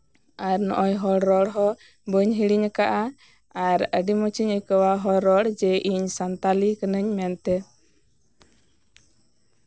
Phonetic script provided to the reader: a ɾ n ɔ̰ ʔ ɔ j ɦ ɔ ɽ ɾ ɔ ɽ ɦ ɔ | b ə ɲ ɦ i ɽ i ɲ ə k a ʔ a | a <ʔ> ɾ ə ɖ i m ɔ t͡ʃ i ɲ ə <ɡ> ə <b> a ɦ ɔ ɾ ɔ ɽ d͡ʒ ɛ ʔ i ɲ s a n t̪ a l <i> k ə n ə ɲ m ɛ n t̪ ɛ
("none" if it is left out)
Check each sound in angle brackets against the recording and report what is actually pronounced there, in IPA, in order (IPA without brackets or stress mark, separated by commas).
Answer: none, k, w, i